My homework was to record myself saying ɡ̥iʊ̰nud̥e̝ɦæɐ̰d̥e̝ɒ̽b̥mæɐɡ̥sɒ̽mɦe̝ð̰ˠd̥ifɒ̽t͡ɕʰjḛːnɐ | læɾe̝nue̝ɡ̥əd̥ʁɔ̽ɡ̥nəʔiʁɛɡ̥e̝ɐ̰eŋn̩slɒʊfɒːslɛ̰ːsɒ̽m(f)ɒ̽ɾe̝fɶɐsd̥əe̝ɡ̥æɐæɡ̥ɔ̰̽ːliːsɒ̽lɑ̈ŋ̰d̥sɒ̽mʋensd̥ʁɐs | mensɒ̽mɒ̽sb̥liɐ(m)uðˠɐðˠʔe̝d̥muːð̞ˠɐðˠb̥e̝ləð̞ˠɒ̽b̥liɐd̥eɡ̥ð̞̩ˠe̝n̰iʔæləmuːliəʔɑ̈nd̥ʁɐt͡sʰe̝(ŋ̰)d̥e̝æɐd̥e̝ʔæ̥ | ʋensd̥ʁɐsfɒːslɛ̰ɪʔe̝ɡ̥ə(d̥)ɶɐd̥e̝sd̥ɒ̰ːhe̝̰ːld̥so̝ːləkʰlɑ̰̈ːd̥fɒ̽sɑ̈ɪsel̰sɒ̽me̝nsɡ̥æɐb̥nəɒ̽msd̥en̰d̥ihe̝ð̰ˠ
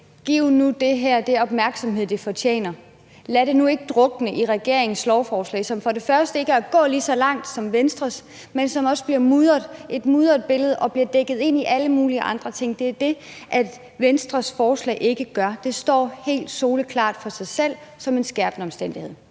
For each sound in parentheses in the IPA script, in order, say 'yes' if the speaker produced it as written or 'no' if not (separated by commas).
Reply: yes, yes, yes, no